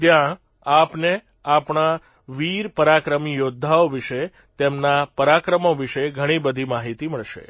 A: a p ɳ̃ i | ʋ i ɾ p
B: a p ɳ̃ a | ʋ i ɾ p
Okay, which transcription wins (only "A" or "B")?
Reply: B